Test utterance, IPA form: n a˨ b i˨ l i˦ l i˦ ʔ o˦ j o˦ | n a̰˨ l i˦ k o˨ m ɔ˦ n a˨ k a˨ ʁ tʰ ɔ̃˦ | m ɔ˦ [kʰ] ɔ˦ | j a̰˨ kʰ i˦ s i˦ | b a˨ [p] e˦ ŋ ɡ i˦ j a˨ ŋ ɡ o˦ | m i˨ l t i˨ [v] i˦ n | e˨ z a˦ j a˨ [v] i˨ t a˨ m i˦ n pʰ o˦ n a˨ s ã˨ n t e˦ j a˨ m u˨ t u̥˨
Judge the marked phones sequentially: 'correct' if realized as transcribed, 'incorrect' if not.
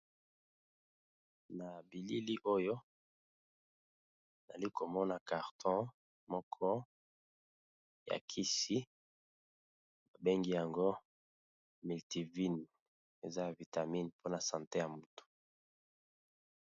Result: correct, incorrect, correct, correct

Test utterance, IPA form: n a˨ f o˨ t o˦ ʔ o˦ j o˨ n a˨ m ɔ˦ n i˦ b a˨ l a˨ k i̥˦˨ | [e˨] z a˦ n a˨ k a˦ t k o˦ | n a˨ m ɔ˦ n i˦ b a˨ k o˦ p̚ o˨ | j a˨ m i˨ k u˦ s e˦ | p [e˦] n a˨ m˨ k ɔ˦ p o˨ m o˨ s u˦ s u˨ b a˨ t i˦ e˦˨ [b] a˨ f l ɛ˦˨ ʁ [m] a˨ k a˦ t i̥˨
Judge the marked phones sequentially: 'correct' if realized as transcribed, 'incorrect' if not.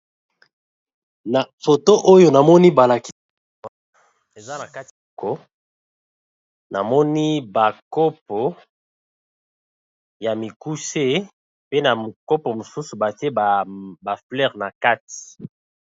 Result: correct, correct, correct, incorrect

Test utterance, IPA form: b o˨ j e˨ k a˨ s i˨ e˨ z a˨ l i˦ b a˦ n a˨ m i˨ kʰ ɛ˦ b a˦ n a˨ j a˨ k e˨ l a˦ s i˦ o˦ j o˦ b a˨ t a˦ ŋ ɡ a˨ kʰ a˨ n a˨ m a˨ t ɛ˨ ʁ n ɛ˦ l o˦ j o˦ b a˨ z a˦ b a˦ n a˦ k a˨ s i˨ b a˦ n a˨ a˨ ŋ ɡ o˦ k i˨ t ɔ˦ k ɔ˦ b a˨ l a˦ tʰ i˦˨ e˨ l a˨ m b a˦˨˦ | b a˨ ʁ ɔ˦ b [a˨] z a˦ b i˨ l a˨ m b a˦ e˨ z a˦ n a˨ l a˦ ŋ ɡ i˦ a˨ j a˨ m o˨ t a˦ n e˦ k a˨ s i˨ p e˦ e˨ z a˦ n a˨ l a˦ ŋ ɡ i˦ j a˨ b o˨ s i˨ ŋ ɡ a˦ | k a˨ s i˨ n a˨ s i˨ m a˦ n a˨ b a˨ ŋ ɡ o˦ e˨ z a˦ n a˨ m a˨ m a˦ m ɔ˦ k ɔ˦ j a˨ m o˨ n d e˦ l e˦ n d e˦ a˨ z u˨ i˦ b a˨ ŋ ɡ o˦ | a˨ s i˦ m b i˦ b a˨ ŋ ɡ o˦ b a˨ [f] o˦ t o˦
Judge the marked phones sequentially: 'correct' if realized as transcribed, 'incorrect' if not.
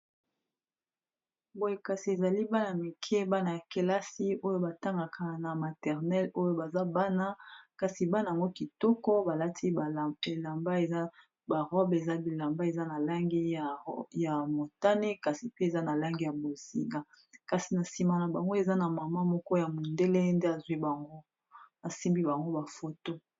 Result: incorrect, correct

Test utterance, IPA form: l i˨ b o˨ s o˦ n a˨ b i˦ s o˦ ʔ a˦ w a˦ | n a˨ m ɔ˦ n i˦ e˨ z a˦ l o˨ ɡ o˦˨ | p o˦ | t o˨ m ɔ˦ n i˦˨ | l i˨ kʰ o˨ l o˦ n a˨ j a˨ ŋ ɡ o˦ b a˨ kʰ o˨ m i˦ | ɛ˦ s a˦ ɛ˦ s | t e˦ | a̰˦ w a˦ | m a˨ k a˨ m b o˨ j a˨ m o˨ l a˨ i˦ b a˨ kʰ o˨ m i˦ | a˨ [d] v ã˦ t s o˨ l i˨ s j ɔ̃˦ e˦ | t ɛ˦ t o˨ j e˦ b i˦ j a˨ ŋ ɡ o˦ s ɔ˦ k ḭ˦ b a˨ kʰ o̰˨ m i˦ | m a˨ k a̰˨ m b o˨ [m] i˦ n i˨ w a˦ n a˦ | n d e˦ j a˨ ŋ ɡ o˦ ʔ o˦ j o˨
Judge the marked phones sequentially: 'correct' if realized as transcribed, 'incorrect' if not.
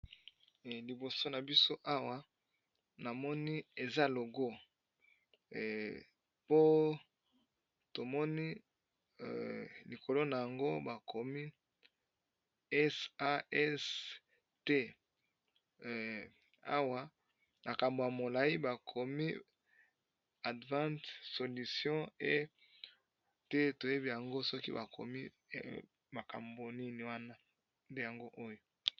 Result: correct, incorrect

